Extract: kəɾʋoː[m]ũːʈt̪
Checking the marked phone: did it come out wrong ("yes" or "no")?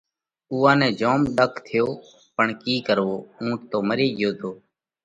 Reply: yes